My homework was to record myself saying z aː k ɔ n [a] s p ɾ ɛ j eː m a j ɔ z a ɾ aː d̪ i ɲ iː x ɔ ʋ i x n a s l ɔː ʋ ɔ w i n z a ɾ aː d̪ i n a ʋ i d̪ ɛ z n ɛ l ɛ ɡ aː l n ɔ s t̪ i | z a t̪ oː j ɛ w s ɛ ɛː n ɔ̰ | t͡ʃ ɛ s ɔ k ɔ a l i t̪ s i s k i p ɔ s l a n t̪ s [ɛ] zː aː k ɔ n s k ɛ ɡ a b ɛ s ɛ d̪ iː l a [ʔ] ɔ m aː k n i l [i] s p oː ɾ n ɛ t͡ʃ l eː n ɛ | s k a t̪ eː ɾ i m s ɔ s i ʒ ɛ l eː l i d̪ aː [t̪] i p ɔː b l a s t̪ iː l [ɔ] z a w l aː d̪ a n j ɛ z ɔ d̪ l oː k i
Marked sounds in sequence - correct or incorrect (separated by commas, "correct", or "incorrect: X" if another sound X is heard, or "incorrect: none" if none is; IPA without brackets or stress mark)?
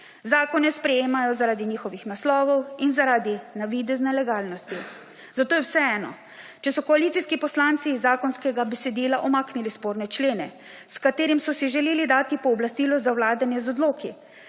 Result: incorrect: ɛ, incorrect: i, correct, correct, correct, correct